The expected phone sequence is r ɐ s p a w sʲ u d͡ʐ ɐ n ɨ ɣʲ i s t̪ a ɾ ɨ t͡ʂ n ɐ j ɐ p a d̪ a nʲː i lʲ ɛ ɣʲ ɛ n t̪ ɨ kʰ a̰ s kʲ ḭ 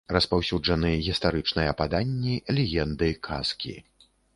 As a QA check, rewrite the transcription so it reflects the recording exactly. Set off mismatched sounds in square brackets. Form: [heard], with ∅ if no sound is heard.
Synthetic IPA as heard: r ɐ s p a w sʲ u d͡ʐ ɐ n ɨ ɣʲ i s t̪ a ɾ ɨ t͡ʂ n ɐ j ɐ p a d̪ a nʲː i lʲ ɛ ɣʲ ɛ n [d̪] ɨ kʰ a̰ s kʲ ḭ